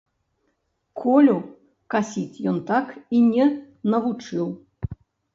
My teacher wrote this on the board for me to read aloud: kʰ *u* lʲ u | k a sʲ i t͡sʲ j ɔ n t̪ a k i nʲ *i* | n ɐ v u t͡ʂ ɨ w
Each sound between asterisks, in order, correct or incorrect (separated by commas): incorrect, incorrect